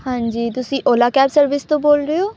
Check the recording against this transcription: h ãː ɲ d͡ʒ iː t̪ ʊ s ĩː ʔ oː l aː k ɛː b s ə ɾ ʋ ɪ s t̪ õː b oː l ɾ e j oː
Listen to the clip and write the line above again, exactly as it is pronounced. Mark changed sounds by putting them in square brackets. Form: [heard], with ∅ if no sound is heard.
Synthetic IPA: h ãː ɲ d͡ʒ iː t̪ ʊ s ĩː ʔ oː l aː k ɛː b s ə ɾ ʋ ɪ s t̪ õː b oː l ɾ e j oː